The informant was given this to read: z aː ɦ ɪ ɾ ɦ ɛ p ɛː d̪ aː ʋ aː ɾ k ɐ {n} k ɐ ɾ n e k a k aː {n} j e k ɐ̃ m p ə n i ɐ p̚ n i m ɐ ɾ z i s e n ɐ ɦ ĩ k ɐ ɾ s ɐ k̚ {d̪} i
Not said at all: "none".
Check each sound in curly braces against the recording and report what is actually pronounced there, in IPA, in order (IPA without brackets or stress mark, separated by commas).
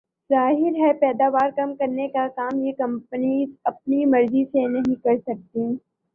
m, m, t̪